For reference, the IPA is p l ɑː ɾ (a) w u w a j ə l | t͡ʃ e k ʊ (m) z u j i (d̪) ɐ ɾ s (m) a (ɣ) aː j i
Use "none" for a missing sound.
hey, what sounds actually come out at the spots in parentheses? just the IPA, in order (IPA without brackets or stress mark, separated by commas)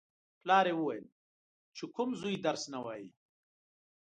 e, m, d̪, n, w